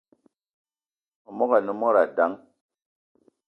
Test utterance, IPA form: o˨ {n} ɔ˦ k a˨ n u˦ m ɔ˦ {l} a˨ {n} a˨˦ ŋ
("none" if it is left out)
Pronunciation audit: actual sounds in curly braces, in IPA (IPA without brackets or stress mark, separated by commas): m, ɾ, d